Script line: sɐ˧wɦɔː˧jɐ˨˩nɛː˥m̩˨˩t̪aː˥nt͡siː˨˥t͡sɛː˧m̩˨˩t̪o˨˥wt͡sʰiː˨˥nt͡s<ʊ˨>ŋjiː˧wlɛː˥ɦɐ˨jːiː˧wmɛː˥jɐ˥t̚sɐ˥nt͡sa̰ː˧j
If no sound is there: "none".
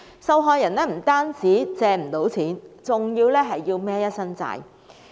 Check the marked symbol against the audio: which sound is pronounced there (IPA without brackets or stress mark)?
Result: ʊ˨